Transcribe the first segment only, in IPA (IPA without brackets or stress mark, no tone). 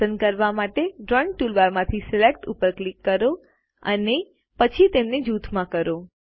ə